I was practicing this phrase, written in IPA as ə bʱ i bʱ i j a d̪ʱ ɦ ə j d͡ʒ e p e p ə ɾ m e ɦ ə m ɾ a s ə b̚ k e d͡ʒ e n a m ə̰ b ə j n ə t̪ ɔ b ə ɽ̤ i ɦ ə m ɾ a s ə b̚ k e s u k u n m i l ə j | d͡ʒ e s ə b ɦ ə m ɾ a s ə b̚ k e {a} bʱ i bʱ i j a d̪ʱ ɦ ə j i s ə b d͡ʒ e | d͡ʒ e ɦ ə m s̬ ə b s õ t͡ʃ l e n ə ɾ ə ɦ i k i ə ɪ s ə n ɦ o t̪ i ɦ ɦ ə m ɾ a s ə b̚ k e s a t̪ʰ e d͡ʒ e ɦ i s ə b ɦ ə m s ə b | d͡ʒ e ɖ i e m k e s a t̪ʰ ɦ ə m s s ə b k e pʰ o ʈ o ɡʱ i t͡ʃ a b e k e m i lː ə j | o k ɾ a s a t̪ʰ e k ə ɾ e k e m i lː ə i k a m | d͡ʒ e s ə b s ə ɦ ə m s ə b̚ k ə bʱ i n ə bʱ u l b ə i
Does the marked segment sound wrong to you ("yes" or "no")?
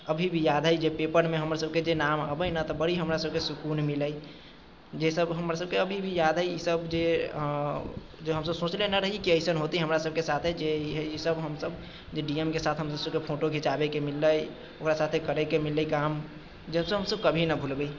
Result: yes